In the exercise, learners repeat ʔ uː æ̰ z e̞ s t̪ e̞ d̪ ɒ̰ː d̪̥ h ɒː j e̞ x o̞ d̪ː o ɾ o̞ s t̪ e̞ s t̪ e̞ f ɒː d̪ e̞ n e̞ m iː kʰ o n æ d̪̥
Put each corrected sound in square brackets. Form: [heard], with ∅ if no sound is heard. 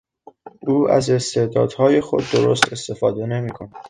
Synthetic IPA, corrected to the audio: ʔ uː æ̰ z e̞ s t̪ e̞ d̪ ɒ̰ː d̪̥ h ɒː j e̞ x o̞ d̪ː o ɾ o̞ s t̪ e̞ s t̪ e̞ f ɒː d̪ e̞ n e̞ m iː kʰ o n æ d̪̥

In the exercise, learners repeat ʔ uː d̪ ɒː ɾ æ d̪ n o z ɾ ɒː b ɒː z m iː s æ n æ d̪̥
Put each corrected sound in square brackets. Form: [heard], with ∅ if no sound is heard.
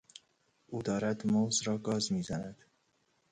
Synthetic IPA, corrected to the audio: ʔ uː d̪ ɒː ɾ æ d̪ [m] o z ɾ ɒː [ɡ] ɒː z m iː [z] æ n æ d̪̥

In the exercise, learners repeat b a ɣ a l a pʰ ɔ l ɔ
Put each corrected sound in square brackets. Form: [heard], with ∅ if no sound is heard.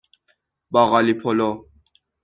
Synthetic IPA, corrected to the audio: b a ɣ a l [i] pʰ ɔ l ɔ

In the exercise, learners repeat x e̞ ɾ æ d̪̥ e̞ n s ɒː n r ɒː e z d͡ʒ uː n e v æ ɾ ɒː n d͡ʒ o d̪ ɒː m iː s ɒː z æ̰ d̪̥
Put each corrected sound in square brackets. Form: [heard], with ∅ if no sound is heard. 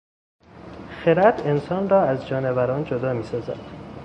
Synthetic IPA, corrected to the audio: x e̞ ɾ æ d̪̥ e̞ n s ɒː n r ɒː [æ] z d͡ʒ [ɒː] n e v æ ɾ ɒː n d͡ʒ o d̪ ɒː m iː s ɒː z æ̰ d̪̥

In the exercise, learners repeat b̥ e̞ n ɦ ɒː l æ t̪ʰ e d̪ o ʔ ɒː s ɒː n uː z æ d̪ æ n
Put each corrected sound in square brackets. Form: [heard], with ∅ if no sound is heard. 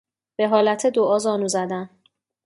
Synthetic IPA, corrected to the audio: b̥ e̞ [∅] ɦ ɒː l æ t̪ʰ e d̪ o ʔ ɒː [z] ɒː n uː z æ d̪ æ n

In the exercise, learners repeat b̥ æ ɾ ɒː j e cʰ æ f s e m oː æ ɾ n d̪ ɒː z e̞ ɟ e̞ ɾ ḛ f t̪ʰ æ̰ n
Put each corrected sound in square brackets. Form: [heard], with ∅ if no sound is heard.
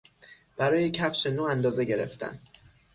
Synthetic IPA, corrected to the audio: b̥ æ ɾ ɒː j e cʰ æ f [ʃ] e [n] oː æ [∅] n d̪ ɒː z e̞ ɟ e̞ ɾ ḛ f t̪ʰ æ̰ n

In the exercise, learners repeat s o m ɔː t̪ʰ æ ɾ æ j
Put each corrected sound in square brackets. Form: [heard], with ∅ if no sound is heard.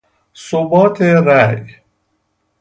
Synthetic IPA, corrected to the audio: s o [b] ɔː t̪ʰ [e] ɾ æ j

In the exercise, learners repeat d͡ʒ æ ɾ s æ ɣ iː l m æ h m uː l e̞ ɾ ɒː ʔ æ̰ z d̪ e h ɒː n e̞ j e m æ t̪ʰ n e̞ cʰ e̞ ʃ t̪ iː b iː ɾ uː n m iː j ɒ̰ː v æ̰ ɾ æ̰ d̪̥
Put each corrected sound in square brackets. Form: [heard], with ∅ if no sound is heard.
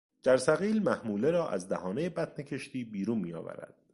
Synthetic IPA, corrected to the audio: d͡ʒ æ ɾ s æ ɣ iː l m æ h m uː l e̞ ɾ ɒː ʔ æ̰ z d̪ [æ] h ɒː n e̞ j e [b] æ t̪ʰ n e̞ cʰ e̞ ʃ t̪ iː b iː ɾ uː n m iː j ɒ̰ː v æ̰ ɾ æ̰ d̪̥

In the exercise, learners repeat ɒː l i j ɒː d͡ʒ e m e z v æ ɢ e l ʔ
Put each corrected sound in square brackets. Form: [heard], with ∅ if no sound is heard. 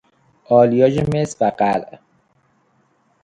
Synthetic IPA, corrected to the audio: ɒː l i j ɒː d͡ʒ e m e [s] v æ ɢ [æ] l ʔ

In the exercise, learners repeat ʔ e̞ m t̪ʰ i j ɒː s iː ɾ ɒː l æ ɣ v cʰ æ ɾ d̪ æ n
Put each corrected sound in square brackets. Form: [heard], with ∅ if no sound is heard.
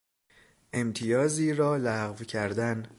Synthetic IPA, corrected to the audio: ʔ e̞ m t̪ʰ i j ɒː [z] iː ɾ ɒː l æ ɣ v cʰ æ ɾ d̪ æ n

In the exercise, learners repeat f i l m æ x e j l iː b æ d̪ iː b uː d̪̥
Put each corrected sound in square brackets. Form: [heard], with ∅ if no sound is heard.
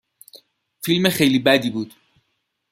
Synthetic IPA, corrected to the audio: f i l m [e] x e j l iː b æ d̪ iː b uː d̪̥

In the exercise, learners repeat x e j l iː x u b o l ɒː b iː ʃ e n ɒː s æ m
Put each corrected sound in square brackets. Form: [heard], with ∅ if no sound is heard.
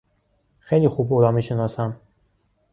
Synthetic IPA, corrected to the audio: x e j l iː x u b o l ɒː [m] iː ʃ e n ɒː s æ m

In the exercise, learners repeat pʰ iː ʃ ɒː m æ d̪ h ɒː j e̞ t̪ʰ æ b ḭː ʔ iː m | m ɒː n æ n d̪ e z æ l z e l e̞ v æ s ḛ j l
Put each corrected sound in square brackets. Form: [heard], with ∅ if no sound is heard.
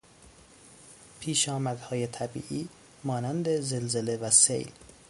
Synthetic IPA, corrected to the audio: pʰ iː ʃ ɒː m æ d̪ h ɒː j e̞ t̪ʰ æ b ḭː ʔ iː [∅] | m ɒː n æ n d̪ e z [e] l z e l e̞ v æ s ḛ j l

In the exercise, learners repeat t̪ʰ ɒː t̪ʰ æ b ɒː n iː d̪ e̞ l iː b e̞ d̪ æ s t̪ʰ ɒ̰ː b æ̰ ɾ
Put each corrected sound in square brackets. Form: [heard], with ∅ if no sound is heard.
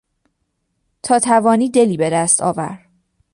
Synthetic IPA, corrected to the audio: t̪ʰ ɒː t̪ʰ æ [v] ɒː n iː d̪ e̞ l iː b e̞ d̪ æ s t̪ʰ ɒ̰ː [v] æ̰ ɾ

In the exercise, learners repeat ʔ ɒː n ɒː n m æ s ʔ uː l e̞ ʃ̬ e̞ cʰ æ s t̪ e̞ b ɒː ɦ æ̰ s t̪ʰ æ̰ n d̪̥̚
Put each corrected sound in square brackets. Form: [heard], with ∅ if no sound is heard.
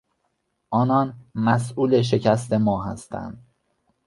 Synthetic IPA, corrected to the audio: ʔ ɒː n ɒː n m æ s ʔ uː l e̞ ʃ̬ e̞ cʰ æ s t̪ e̞ [m] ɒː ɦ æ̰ s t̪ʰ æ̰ n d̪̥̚

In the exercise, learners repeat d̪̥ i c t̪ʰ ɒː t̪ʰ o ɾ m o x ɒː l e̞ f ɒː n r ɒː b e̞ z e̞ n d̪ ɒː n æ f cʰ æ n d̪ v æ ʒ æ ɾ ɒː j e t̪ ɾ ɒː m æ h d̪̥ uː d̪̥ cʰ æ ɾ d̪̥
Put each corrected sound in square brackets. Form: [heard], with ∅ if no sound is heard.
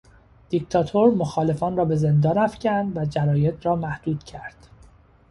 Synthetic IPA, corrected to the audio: d̪̥ i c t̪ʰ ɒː t̪ʰ o ɾ m o x ɒː l e̞ f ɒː n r ɒː b e̞ z e̞ n d̪ ɒː n æ f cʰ æ n d̪ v æ [d͡ʒ] æ ɾ ɒː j e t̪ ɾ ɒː m æ h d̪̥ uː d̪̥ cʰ æ ɾ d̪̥

